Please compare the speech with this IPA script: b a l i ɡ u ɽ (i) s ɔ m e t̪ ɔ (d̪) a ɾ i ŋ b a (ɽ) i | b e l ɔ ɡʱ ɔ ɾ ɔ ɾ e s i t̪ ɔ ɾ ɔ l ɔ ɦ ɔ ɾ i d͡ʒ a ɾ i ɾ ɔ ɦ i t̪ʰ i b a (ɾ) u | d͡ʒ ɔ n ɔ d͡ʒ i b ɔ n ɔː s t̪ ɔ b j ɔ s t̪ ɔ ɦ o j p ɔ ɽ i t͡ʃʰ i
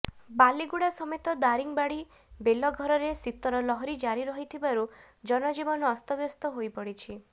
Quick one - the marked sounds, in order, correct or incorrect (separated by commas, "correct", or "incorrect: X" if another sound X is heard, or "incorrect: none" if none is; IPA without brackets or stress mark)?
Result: incorrect: a, correct, correct, correct